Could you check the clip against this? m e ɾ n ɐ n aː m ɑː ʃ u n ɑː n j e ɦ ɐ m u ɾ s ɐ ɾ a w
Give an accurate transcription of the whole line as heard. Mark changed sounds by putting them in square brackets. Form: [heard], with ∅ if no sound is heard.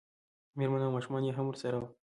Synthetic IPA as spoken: m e ɾ [m] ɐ n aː m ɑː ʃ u [m] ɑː n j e ɦ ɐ m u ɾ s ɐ ɾ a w